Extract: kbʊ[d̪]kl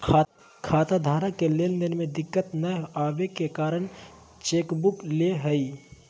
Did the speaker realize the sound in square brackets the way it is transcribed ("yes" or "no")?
no